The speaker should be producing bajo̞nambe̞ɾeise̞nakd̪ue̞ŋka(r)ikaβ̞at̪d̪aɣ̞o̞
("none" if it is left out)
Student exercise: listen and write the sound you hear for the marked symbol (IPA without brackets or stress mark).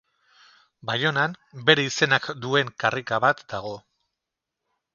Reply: r